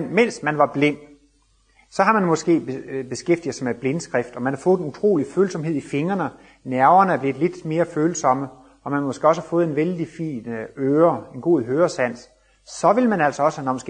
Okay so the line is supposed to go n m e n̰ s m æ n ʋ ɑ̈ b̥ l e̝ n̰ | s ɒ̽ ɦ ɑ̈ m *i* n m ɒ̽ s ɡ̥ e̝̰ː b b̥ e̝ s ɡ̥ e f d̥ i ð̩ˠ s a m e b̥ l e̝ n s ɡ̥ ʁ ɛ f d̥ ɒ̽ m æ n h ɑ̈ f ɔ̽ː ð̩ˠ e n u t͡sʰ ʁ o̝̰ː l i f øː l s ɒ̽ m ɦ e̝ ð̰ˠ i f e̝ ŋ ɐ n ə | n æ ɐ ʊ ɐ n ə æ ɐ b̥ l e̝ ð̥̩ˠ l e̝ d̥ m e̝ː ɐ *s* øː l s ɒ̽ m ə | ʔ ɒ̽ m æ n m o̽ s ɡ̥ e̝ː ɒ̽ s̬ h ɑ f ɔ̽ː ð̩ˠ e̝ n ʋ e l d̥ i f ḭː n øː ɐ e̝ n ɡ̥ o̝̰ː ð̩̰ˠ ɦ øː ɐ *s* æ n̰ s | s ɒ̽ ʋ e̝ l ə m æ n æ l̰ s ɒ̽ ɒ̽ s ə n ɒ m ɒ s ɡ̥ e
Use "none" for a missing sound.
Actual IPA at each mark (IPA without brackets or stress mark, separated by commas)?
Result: æ, f, s